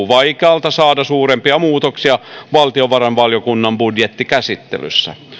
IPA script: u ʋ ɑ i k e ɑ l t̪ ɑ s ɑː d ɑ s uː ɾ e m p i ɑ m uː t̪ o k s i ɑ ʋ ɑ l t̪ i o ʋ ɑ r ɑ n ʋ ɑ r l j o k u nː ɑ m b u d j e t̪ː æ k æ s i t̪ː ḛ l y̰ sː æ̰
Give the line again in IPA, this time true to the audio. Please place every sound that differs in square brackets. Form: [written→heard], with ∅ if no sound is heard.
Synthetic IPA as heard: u ʋ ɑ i k e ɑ l t̪ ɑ s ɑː d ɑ s uː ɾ e m p i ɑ m uː t̪ o k s i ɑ ʋ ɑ l t̪ i o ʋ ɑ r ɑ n ʋ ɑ [r→∅] l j o k u nː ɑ m b u d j e t̪ː [æ→i] k æ s i t̪ː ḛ l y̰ sː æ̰